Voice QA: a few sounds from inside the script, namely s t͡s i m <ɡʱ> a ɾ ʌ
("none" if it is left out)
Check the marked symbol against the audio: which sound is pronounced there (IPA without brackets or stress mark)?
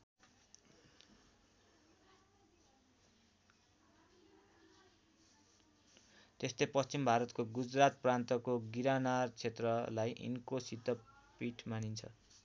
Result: bʱ